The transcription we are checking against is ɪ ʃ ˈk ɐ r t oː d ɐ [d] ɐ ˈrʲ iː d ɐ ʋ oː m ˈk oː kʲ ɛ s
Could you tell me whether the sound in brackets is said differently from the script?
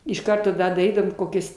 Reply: no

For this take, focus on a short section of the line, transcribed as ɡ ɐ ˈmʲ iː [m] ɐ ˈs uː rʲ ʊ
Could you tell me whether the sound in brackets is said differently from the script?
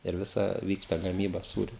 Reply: yes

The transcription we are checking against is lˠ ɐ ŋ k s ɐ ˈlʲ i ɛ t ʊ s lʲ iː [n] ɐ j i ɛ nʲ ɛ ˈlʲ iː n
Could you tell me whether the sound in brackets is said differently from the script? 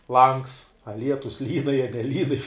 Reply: no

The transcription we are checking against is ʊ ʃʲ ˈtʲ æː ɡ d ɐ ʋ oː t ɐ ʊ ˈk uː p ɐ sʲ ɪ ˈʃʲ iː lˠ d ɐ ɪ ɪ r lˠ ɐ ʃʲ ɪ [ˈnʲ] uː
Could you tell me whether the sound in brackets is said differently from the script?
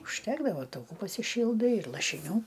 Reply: no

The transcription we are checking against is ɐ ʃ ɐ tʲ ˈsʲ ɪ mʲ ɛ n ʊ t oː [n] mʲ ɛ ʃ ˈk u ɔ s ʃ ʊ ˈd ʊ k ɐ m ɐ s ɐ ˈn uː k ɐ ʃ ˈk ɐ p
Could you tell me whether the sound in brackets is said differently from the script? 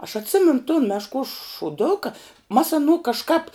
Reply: no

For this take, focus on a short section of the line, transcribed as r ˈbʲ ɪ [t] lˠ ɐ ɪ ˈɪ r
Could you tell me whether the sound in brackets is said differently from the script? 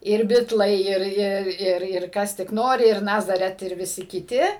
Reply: no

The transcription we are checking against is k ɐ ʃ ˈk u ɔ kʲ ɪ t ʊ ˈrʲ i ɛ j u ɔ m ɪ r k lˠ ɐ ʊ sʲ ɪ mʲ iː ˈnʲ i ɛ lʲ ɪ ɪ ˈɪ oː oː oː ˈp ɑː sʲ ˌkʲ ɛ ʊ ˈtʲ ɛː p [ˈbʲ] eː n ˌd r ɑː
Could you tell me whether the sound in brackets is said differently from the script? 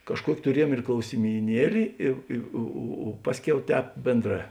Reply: no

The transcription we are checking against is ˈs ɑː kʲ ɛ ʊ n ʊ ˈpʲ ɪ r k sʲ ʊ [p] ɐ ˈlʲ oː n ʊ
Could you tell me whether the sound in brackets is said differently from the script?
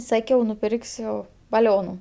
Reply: yes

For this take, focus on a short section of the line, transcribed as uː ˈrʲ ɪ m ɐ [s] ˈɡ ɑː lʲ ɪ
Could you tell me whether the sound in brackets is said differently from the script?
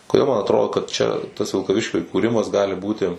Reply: no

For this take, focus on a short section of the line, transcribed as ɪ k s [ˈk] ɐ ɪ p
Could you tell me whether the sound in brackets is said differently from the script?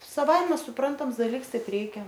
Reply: yes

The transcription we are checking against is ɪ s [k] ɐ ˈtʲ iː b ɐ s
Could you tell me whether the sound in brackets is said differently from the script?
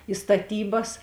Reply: yes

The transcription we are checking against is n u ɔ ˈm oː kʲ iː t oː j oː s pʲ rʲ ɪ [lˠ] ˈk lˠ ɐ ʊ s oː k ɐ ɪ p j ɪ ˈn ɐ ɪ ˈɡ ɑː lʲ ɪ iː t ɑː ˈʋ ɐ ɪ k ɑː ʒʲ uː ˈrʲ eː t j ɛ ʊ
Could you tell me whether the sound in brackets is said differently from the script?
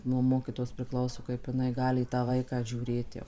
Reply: yes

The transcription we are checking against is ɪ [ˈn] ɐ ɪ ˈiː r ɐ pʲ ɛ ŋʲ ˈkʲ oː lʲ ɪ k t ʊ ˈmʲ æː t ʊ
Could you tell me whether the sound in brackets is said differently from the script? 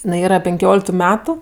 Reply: no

